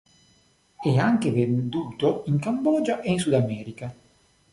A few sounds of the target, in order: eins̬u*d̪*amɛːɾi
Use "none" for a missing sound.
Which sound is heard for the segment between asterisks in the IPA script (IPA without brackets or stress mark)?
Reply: d̪